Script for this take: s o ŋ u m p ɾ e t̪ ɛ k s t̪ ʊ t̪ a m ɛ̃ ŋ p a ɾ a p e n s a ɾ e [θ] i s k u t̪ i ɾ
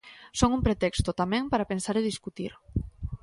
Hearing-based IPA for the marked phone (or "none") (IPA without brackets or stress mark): ð